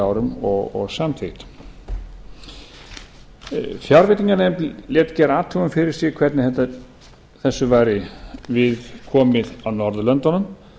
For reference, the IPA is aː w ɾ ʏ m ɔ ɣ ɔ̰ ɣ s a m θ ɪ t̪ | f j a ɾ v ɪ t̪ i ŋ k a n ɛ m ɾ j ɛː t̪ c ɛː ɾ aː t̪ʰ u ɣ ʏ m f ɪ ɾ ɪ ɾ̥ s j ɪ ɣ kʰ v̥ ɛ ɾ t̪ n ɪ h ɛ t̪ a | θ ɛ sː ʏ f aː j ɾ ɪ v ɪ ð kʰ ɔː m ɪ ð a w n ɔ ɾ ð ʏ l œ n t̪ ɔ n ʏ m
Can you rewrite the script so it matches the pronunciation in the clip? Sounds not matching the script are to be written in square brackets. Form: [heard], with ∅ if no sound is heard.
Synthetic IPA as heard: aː w ɾ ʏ m ɔ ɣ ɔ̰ ɣ s a m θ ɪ t̪ | f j a ɾ v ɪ t̪ i ŋ k a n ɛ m [l] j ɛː t̪ c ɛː ɾ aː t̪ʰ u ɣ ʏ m f ɪ ɾ ɪ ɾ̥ s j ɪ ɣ kʰ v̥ ɛ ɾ t̪ n ɪ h ɛ t̪ a | θ ɛ sː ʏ [v] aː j ɾ ɪ v ɪ ð kʰ ɔː m ɪ ð a w n ɔ ɾ ð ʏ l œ n t̪ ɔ n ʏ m